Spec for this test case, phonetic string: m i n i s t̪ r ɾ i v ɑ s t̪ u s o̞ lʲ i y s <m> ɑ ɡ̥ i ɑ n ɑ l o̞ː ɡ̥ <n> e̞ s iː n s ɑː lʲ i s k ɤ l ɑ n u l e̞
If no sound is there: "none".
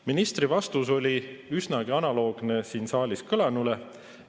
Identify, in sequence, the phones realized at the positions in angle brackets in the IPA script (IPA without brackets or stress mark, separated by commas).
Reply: n, n